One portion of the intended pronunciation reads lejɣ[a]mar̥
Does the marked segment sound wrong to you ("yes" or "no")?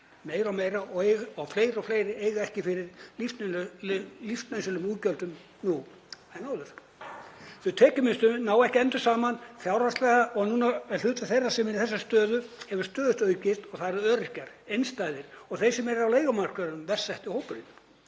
no